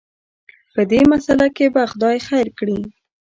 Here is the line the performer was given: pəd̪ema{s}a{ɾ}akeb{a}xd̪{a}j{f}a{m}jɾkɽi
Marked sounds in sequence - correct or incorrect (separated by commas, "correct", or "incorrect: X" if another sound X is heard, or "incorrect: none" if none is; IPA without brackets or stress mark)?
correct, incorrect: l, correct, incorrect: ɑ, incorrect: x, incorrect: none